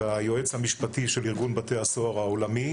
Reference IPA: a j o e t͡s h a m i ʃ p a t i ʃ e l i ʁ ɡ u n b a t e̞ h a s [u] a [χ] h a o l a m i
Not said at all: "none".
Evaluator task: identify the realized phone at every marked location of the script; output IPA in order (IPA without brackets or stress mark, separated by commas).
o, ʁ